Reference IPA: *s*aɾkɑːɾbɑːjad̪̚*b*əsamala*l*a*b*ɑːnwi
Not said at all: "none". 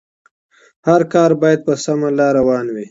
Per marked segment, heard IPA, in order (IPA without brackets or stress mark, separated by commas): h, p, ɾ, w